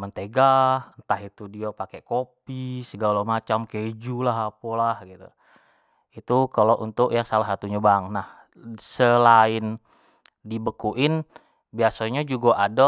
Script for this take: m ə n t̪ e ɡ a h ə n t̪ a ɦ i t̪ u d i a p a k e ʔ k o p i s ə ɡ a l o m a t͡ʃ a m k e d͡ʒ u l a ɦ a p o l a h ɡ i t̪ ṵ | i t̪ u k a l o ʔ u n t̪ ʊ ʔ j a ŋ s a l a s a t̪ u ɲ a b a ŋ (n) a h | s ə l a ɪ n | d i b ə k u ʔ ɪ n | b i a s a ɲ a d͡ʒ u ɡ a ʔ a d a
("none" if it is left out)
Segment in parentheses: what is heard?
n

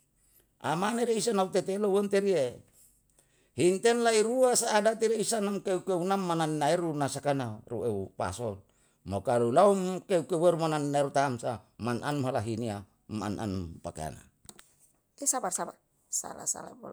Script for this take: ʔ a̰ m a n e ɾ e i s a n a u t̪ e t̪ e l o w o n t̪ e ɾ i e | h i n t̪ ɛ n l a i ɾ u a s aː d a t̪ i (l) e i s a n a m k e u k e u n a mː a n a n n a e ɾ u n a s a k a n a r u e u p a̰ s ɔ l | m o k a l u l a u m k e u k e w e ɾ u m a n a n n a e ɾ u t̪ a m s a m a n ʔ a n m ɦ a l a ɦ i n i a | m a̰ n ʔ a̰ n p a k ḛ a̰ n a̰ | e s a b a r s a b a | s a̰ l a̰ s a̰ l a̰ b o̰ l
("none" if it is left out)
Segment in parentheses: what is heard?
ɾ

